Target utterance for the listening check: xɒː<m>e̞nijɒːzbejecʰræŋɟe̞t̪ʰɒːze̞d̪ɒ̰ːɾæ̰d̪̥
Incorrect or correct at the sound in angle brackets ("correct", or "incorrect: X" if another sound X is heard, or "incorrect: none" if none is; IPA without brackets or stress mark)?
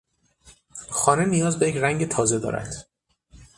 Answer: incorrect: n